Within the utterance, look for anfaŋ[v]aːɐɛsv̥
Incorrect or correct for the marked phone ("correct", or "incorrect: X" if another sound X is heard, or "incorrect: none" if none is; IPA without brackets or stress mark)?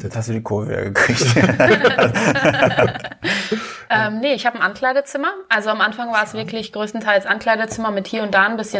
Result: correct